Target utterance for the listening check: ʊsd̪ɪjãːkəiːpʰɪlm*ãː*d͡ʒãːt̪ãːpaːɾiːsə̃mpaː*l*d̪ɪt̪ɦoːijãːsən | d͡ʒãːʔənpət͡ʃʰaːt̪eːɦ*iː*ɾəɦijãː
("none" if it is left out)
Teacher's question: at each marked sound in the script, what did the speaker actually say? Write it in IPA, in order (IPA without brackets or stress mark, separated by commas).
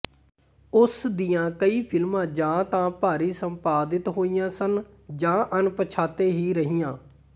ãː, none, iː